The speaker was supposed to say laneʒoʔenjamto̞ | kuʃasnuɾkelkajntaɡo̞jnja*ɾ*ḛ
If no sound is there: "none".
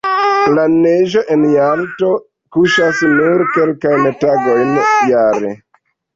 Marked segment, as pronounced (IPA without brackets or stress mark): ɾ